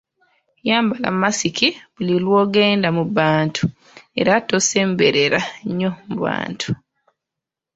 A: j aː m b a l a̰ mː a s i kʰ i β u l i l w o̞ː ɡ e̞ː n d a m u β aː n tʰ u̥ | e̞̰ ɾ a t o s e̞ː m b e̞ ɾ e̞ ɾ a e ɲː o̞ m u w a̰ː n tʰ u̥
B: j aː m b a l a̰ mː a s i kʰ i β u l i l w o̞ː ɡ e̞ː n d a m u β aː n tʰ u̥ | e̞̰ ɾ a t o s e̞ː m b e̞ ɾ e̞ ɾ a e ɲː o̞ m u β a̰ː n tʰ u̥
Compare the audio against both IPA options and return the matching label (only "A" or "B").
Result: B